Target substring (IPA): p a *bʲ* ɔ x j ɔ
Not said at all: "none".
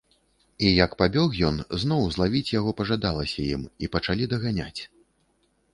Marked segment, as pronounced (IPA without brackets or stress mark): bʲ